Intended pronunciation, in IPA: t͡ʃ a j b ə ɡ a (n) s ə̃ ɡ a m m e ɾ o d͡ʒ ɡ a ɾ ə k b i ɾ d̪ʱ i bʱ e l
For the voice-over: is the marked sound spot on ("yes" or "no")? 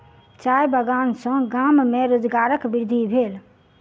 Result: yes